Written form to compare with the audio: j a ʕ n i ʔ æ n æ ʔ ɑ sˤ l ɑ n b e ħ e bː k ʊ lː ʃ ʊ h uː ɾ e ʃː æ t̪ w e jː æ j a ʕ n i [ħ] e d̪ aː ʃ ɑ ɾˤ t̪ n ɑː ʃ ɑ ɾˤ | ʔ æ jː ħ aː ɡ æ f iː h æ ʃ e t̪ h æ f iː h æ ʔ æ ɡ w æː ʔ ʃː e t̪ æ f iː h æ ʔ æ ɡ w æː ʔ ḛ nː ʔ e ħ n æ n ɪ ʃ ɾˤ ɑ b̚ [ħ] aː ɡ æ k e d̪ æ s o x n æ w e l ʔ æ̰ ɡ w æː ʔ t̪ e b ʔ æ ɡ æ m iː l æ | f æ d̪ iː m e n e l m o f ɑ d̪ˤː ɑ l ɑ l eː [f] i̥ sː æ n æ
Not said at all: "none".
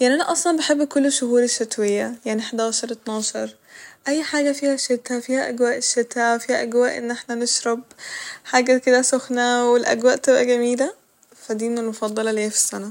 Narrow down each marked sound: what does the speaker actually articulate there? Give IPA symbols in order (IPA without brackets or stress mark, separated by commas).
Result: ħ, ħ, f